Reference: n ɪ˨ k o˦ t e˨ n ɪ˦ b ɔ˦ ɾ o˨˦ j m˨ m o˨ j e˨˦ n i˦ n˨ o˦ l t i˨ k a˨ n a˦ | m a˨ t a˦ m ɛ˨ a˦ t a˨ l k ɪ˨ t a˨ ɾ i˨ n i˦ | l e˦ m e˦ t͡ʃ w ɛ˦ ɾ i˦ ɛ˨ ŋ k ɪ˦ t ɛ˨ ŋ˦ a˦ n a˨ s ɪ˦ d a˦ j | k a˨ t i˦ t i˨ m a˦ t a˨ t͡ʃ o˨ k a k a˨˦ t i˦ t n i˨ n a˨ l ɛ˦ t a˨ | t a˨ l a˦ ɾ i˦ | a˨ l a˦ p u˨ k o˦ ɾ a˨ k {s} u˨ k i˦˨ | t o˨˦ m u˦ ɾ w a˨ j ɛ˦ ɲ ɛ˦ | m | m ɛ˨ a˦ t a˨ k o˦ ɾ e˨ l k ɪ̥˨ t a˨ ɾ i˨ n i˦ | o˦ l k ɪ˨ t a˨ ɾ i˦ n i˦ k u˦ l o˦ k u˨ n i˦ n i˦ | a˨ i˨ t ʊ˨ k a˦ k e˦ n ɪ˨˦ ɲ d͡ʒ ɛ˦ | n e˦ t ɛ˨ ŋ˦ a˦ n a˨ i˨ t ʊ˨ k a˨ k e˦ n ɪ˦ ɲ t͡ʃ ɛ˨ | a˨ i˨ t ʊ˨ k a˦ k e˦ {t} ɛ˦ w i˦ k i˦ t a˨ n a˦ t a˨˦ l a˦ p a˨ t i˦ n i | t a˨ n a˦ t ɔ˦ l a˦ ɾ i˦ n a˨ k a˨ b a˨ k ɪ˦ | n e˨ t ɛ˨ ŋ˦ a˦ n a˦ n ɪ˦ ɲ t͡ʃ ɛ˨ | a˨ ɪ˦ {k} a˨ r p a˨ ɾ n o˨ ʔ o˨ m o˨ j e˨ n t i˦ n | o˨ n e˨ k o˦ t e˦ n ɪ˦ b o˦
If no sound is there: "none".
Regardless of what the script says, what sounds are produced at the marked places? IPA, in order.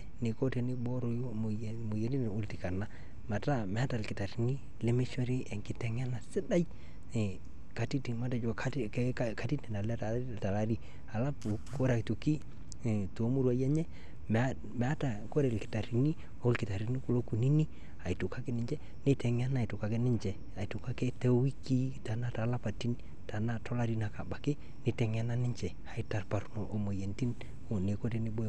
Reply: t, t, t

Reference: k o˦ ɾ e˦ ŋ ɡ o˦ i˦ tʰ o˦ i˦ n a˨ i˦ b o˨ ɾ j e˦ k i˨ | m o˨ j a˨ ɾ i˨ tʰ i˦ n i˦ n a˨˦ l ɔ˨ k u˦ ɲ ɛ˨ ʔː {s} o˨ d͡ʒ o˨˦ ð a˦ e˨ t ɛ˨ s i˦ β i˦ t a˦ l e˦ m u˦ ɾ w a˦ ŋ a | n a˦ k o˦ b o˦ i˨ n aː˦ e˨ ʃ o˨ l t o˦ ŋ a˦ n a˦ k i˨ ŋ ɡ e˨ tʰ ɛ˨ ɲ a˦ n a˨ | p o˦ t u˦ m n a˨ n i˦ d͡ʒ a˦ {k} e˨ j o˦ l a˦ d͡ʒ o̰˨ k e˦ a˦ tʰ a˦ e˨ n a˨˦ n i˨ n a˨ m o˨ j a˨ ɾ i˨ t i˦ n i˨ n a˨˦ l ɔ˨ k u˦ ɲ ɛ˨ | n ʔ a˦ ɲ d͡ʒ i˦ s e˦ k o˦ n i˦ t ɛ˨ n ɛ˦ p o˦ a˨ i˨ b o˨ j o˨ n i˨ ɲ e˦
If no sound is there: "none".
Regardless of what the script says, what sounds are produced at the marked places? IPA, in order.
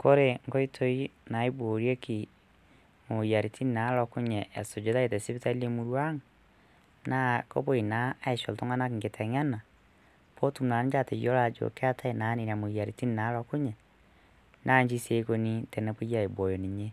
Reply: s, t

